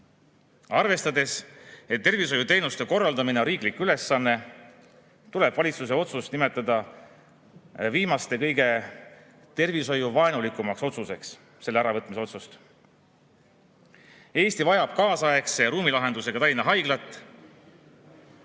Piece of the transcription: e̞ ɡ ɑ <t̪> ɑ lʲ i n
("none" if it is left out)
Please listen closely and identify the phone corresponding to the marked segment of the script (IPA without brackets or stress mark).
t̪